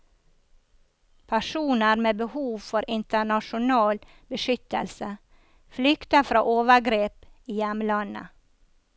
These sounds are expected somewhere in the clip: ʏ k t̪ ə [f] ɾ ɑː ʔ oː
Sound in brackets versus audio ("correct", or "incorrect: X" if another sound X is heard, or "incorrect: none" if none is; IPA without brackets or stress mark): correct